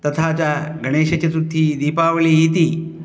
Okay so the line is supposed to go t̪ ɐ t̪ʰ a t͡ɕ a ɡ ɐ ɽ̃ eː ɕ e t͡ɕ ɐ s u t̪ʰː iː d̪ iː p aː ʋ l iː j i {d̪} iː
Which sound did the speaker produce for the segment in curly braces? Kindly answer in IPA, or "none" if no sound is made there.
t̪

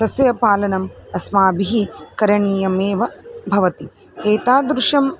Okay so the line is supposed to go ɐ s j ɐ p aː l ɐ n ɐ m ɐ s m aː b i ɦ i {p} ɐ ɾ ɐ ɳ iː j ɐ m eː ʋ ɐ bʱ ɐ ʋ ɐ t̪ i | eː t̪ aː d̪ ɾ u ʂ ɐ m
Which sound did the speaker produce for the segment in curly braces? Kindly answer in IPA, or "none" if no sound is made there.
k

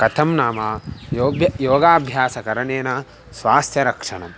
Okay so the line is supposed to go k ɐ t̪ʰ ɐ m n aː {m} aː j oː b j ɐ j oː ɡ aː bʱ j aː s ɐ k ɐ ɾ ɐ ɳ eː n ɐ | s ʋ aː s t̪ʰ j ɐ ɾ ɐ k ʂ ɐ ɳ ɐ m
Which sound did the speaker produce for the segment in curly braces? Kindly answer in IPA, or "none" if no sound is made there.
m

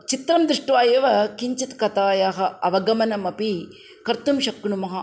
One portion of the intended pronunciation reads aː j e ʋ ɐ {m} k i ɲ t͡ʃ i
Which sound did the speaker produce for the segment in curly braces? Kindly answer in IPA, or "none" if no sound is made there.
none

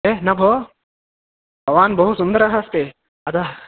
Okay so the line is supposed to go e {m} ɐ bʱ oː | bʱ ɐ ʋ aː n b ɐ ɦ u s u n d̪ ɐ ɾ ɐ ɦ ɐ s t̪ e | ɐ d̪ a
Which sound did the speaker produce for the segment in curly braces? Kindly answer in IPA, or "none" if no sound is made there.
n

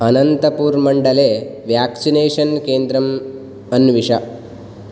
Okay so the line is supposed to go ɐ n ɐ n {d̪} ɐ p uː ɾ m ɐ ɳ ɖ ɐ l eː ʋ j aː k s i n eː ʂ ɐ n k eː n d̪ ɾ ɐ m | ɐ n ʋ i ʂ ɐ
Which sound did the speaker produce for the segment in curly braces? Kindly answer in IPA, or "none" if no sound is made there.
t̪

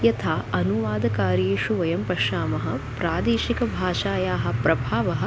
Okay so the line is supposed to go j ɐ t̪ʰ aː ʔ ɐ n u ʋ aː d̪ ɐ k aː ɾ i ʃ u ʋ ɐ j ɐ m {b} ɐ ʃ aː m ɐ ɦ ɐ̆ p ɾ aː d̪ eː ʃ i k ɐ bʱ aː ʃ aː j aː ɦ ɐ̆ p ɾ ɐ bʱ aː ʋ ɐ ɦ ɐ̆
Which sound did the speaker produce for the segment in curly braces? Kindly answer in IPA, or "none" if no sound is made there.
p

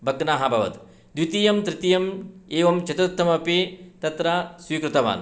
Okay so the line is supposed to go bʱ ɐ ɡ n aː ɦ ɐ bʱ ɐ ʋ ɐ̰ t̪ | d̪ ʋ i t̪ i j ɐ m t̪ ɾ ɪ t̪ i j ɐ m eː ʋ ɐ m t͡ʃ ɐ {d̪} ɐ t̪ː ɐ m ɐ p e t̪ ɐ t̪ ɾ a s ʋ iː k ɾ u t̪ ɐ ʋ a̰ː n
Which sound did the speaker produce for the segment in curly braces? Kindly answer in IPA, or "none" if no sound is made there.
t̪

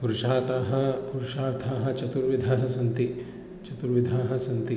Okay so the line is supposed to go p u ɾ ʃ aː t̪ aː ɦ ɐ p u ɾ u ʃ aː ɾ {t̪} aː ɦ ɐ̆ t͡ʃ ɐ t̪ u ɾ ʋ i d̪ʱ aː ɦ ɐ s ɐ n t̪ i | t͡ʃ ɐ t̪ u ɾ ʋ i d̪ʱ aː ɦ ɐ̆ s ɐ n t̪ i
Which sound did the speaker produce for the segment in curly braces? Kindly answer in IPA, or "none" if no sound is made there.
t̪ʰ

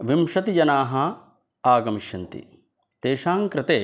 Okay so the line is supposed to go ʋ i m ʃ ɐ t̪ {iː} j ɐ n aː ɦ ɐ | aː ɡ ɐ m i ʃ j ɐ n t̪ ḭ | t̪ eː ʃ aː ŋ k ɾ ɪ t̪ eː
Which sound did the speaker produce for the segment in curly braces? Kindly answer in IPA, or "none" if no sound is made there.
i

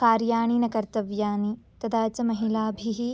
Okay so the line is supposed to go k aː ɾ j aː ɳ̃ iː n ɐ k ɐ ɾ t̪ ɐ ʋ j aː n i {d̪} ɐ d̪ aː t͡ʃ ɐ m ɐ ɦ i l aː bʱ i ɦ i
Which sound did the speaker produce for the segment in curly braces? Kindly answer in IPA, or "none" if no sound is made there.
t̪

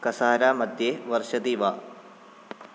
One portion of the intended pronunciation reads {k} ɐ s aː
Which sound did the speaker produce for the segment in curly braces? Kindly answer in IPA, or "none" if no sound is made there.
k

